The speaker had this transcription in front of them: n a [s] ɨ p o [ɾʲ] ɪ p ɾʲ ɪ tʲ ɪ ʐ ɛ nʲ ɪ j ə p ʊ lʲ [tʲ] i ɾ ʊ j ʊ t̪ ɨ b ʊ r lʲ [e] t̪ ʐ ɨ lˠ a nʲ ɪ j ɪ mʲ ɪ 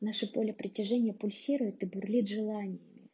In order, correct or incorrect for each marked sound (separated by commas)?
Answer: incorrect, incorrect, incorrect, incorrect